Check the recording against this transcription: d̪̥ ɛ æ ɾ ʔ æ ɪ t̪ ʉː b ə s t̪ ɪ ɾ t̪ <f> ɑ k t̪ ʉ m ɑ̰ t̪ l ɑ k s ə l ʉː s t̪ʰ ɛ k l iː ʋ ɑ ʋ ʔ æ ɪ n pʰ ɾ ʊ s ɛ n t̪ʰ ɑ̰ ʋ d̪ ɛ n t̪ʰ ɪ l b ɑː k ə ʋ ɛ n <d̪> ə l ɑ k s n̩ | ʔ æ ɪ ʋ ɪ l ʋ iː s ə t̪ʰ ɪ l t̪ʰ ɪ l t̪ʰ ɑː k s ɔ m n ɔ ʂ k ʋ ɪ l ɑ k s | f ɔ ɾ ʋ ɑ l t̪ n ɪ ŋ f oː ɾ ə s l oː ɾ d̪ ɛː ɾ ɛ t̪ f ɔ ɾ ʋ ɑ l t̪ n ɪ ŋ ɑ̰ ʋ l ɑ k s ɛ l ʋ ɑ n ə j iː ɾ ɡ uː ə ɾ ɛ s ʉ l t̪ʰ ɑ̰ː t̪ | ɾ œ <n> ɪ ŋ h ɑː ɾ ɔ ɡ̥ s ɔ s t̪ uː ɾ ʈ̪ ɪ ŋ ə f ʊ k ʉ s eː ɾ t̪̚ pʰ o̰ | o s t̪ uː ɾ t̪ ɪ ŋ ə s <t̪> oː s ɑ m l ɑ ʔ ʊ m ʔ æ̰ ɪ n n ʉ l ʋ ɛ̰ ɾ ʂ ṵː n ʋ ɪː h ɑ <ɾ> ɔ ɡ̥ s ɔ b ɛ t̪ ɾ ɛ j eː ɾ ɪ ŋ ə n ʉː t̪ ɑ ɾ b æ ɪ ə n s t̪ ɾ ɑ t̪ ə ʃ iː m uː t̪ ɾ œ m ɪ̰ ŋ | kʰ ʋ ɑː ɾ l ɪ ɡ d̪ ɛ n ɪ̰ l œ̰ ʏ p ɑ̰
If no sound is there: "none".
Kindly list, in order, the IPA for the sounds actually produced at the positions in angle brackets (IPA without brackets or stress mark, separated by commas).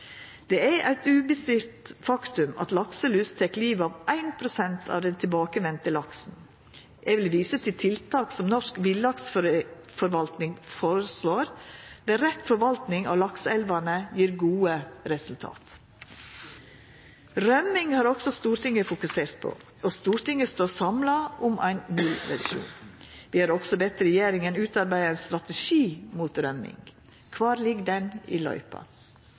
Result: f, t̪, m, t̪, ɾ